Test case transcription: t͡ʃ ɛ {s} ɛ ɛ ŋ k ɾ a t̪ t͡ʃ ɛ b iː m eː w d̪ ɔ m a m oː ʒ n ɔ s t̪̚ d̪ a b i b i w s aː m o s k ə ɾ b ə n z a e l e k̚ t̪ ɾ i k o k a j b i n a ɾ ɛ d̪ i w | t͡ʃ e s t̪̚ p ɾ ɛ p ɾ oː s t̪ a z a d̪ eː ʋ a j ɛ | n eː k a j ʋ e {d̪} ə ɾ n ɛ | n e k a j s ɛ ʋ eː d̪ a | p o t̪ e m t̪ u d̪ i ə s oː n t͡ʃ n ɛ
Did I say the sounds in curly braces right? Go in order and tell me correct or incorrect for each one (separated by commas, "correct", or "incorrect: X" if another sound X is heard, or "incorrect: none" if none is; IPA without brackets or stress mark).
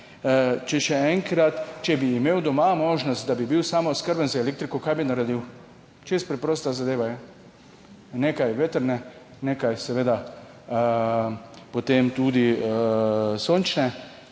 incorrect: ʃ, incorrect: t̪